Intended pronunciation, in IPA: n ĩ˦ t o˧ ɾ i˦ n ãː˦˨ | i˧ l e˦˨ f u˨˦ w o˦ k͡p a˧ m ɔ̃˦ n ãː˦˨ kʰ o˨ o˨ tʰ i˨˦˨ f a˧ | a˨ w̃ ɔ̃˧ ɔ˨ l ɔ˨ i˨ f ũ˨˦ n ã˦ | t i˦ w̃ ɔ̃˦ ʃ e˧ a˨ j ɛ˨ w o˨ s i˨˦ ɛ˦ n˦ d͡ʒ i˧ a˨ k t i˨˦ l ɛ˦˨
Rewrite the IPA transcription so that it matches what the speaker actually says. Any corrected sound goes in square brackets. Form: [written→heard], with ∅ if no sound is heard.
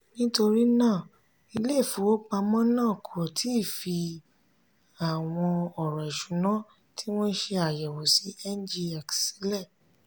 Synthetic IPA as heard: n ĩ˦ t o˧ ɾ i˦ n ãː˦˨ | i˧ l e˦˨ f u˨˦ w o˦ k͡p a˧ m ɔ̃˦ n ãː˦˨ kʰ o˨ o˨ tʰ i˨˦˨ f [a˧→i˧] | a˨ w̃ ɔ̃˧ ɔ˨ [l→ɾ] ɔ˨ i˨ [f→ʃ] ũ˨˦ n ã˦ | t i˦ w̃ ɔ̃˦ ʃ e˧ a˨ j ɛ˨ w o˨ s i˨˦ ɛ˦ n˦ d͡ʒ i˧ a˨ k [t→s] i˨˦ l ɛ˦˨